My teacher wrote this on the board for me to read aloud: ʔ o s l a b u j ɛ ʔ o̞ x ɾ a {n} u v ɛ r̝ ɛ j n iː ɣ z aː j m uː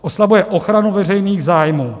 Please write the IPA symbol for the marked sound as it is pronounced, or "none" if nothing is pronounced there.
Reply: n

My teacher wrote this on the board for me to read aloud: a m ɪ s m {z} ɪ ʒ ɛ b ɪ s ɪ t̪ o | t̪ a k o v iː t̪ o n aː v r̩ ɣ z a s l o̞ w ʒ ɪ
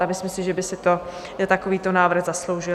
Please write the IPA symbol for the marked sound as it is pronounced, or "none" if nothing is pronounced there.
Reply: s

